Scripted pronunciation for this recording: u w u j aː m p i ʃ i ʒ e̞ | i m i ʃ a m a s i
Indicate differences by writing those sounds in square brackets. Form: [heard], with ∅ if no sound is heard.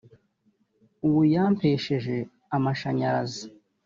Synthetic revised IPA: u w u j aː m p [e] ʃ [e] ʒ e̞ | [a] m [a] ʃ a [ɲ] a [z] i